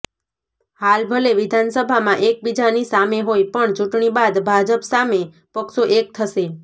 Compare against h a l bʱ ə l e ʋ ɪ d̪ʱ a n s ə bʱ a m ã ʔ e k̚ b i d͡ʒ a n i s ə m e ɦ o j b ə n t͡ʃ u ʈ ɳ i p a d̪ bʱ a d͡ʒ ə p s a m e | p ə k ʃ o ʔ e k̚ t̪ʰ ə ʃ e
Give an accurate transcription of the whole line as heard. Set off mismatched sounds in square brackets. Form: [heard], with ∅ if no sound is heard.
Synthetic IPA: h a l bʱ ə l e ʋ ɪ d̪ʱ a n s ə bʱ a m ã ʔ e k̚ b i d͡ʒ a n i s [a] m e ɦ o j [p] ə [ɳ] t͡ʃ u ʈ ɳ i [b] a d̪ bʱ a d͡ʒ ə p s a m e | p ə k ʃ o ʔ e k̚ t̪ʰ ə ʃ e